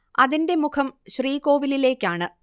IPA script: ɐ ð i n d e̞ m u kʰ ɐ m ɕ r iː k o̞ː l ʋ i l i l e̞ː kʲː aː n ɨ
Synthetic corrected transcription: ɐ ð i n d e̞ m u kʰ ɐ m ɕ r iː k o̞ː ʋ i l i l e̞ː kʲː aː ɳ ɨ

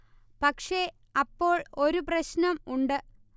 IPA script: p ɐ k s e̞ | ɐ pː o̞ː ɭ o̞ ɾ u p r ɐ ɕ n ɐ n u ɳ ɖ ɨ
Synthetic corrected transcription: p ɐ k ʂ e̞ | ɐ pː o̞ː ɭ o̞ ɾ u p r ɐ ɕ n ɐ m u ɳ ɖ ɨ

